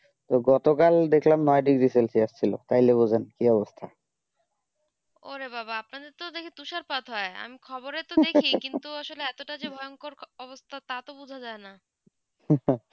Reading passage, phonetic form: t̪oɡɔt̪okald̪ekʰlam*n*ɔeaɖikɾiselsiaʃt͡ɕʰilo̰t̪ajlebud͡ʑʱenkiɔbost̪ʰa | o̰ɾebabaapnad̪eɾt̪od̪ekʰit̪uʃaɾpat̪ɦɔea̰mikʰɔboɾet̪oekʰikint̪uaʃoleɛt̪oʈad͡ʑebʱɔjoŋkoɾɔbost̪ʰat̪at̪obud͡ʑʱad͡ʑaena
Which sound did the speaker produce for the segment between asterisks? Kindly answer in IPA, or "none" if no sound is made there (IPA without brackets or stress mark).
n